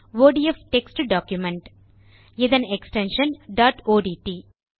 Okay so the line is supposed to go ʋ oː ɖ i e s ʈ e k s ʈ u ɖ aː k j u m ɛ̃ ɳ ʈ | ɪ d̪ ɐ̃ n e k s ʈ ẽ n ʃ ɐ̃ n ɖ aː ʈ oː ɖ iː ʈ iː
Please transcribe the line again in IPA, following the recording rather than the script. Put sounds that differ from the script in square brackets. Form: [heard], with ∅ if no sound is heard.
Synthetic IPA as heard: ʋ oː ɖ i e [f] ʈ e k s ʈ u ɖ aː k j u m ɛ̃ ɳ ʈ | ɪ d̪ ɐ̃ n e k s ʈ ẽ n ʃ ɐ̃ n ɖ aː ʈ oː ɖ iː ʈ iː